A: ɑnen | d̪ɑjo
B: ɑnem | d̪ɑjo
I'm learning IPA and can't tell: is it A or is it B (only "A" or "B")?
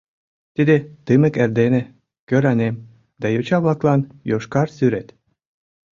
B